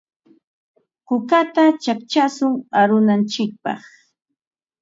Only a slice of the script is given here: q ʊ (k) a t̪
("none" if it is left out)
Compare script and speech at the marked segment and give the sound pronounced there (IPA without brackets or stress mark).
k